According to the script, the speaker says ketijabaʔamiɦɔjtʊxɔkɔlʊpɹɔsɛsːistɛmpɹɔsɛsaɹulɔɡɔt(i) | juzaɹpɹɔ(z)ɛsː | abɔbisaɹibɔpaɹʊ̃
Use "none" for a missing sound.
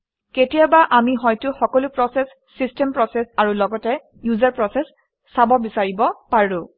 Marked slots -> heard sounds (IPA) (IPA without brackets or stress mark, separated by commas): ɛ, s